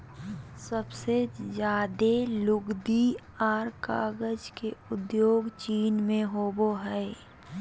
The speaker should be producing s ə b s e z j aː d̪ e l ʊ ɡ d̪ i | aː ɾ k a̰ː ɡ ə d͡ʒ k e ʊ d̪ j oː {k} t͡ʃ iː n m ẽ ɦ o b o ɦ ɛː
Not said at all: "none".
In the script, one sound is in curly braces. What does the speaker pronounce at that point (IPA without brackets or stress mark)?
ɡ